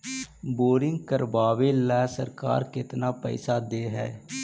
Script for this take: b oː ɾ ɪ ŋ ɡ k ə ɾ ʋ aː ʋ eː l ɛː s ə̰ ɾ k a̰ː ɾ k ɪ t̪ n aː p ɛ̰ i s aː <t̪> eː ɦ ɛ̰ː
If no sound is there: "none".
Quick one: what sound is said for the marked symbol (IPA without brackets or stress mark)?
d̪